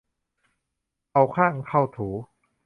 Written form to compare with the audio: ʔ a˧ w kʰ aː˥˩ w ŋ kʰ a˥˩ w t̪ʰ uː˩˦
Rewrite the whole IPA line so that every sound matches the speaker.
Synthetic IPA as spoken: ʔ a˧ w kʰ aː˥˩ ŋ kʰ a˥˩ w t̪ʰ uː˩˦

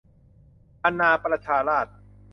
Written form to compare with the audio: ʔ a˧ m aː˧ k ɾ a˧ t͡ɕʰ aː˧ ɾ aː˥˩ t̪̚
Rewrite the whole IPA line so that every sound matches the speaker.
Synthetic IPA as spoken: ʔ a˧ n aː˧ p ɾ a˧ t͡ɕʰ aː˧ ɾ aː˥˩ t̪̚

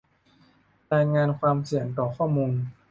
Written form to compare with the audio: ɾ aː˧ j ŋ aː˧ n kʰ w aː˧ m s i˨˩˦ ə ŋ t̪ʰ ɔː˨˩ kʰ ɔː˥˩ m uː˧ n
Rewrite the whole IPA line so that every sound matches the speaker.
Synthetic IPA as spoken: ɾ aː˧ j ŋ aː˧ n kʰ w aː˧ m s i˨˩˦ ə ŋ t̪ ɔː˨˩ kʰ ɔː˥˩ m uː˧ n

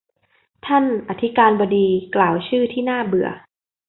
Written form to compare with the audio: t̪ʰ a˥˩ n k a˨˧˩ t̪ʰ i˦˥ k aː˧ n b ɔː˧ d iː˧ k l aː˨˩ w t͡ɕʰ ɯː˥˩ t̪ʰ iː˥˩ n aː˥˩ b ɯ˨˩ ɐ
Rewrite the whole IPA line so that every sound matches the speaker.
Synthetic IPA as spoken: t̪ʰ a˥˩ n ʔ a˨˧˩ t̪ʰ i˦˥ k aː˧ n b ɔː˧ d iː˧ k l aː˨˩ w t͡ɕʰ ɯː˥˩ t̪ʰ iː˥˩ n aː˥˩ b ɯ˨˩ ɐ

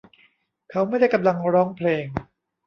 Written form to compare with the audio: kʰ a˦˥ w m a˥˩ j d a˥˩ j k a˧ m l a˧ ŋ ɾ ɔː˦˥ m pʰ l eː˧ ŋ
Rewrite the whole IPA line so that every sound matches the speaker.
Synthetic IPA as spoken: kʰ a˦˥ w m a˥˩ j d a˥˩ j k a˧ m l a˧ ŋ ɾ ɔː˦˥ ŋ pʰ l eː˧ ŋ

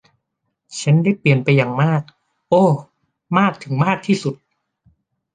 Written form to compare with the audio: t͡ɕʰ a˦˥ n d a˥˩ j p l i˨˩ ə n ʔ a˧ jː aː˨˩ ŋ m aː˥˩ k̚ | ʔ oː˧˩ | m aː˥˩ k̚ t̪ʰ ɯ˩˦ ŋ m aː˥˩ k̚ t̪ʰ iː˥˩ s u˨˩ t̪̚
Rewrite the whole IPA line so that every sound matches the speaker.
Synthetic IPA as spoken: t͡ɕʰ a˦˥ n d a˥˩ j p l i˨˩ ə n p a˧ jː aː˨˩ ŋ m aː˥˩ k̚ | ʔ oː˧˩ | m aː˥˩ k̚ t̪ʰ ɯ˩˦ ŋ m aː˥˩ k̚ t̪ʰ iː˥˩ s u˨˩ t̪̚

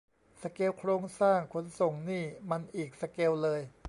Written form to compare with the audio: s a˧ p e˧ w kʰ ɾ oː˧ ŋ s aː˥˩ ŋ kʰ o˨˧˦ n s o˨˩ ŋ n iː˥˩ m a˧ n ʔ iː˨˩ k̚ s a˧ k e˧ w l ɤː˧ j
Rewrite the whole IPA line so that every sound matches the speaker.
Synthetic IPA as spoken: s a˧ k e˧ w kʰ ɾ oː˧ ŋ s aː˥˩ ŋ kʰ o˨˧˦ n s o˨˩ ŋ n iː˥˩ m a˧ n ʔ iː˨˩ k̚ s a˧ k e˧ w l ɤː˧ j

